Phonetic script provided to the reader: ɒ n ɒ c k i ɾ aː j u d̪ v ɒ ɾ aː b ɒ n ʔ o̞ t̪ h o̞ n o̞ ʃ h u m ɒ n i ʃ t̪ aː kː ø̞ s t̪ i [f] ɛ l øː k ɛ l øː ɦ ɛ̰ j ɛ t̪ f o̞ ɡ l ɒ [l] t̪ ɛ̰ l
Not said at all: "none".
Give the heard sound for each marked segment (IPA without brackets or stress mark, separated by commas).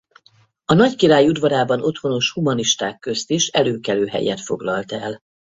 ʃ, l